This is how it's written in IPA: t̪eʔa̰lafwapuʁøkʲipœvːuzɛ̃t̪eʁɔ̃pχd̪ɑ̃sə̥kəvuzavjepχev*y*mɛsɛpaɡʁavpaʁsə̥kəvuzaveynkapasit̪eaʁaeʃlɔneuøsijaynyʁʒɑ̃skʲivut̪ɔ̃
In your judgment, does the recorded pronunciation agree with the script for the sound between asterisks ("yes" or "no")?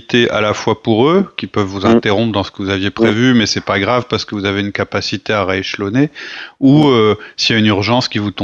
yes